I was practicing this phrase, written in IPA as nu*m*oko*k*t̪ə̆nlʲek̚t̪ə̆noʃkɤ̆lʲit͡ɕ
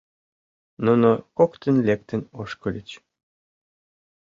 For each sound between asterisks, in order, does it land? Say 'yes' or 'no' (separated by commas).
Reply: no, yes